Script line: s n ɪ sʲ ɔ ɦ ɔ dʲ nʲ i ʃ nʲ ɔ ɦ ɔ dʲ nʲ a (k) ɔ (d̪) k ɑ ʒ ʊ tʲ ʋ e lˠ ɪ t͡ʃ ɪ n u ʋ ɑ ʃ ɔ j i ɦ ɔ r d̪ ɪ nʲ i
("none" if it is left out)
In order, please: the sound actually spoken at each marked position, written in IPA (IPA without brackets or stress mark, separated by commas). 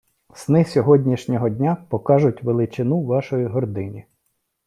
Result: p, none